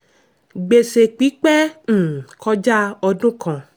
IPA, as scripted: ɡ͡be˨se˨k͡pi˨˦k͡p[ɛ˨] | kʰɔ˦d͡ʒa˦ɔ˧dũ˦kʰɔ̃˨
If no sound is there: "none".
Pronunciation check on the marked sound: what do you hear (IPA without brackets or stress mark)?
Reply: ɛ˦˨